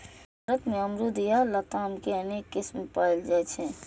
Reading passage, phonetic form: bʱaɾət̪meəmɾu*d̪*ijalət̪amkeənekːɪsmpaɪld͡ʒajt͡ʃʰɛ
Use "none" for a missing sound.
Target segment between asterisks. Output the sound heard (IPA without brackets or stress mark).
d̪